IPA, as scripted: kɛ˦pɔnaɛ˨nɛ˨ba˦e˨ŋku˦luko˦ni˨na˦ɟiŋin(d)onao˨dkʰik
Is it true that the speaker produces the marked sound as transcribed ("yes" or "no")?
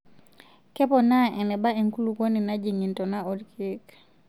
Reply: no